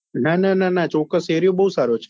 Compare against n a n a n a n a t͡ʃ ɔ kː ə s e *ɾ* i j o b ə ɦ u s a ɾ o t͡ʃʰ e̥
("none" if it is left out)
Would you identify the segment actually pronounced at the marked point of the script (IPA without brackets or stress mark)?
ɾ